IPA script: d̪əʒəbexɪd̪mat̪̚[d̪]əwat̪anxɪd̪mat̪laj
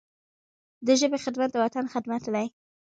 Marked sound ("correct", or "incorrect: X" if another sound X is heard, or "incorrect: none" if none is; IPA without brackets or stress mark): correct